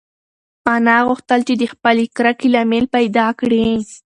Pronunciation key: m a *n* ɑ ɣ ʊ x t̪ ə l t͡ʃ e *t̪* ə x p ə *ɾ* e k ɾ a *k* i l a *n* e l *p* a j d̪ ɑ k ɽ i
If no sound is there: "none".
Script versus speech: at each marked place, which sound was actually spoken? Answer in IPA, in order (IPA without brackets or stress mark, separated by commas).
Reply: n, d̪, l, k, m, p